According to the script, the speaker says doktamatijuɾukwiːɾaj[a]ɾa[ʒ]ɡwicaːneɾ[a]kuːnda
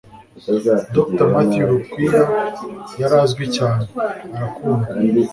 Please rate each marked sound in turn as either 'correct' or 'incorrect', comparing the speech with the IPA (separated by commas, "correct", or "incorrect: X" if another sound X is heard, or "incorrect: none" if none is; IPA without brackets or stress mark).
correct, incorrect: z, correct